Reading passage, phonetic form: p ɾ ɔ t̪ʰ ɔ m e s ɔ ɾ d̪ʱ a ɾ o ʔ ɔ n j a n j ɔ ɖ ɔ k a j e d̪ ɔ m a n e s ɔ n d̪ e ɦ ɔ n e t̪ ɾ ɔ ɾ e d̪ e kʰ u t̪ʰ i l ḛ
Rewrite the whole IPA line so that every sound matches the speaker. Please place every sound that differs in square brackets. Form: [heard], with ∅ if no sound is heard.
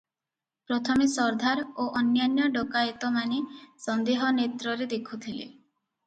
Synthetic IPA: p ɾ ɔ t̪ʰ ɔ m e s ɔ ɾ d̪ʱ a ɾ o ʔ ɔ n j a n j ɔ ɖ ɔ k a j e [t̪] ɔ m a n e s ɔ n d̪ e ɦ ɔ n e t̪ ɾ ɔ ɾ e d̪ e kʰ u t̪ʰ i l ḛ